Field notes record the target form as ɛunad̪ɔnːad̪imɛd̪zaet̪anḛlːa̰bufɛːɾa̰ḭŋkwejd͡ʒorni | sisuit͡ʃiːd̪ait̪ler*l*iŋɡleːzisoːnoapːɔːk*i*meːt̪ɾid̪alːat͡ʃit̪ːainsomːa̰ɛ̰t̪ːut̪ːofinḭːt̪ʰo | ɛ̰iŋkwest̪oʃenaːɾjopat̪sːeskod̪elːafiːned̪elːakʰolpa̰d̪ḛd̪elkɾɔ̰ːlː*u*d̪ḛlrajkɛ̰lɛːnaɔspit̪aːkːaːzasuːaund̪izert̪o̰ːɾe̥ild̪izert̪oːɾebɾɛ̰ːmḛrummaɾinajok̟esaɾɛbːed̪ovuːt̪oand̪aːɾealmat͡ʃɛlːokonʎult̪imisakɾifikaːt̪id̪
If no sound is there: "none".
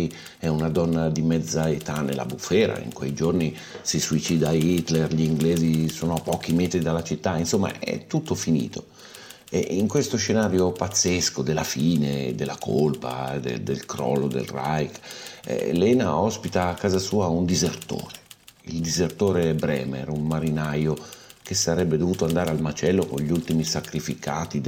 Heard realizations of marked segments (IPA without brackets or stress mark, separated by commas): ʎ, i, o